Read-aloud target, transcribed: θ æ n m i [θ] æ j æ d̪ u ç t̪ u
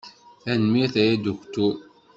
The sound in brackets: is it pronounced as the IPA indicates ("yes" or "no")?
yes